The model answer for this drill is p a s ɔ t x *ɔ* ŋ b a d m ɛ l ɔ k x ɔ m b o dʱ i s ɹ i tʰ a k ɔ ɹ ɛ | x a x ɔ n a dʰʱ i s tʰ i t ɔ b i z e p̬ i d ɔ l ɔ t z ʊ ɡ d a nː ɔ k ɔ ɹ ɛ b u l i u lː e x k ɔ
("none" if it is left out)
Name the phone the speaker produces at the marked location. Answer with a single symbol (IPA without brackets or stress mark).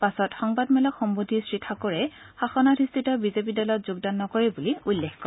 ɔ